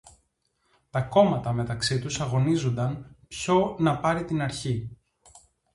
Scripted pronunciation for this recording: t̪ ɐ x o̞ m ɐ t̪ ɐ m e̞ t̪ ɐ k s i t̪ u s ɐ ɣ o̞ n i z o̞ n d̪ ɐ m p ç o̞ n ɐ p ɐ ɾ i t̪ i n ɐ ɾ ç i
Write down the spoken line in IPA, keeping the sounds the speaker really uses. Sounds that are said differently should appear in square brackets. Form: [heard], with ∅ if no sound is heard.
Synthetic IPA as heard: t̪ ɐ [k] o̞ m ɐ t̪ ɐ m e̞ t̪ ɐ k s i t̪ u s ɐ ɣ o̞ n i z o̞ n d̪ ɐ [n] p ç o̞ n ɐ p ɐ ɾ i t̪ i n ɐ ɾ ç i